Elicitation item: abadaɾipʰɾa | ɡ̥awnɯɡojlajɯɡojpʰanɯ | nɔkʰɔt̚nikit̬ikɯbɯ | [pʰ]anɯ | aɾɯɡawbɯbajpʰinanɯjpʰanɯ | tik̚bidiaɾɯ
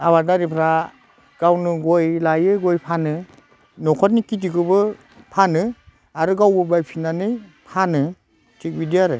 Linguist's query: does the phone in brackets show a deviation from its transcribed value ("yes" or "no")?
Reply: no